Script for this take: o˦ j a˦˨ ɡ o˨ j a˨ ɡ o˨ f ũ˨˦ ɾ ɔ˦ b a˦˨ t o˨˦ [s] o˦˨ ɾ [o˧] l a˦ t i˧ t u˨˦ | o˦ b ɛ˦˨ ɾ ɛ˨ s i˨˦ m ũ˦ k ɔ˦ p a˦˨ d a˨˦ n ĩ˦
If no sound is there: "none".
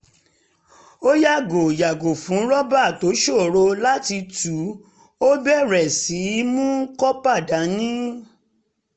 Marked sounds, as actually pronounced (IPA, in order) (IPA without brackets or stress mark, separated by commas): ʃ, o˧